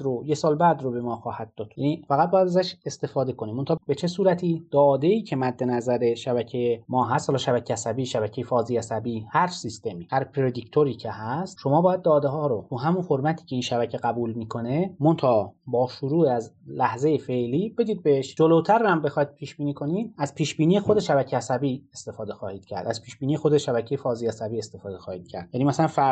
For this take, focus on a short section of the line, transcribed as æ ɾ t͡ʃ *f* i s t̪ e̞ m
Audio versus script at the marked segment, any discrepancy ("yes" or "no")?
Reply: yes